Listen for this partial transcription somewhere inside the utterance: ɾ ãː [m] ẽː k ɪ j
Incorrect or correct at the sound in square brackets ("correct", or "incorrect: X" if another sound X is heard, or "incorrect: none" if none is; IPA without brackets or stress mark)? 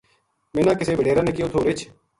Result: incorrect: n